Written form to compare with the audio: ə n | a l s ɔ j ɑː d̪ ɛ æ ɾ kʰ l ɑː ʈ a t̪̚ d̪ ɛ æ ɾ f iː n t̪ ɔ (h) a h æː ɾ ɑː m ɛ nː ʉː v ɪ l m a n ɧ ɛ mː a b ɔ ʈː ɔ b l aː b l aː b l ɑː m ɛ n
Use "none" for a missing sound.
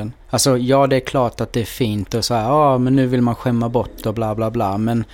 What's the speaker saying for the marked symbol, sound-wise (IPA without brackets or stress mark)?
s